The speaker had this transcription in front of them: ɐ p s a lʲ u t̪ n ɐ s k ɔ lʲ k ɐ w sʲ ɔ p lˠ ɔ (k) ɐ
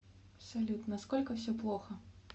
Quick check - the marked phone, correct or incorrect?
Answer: incorrect